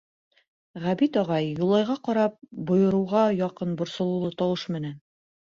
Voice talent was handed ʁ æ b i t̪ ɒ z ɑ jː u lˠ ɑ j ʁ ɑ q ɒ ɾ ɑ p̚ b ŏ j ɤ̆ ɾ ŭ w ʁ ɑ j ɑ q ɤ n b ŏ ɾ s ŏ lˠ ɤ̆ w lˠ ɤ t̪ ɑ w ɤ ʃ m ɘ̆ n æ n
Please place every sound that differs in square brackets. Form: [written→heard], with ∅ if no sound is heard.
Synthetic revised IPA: ʁ æ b i t̪ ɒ [z→ʁ] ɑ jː u lˠ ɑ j ʁ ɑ q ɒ ɾ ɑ p̚ b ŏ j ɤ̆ ɾ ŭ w ʁ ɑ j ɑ q ɤ n b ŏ ɾ s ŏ lˠ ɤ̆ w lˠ ɤ t̪ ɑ w ɤ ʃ m ɘ̆ n æ n